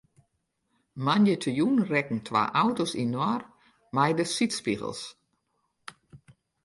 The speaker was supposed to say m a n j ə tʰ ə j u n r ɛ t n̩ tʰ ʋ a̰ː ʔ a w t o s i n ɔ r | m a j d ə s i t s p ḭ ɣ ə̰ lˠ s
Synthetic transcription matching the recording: m a n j ə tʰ ə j u n r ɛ k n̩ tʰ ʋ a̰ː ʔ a w t o s i n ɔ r | m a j d ə s i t s p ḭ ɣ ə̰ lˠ s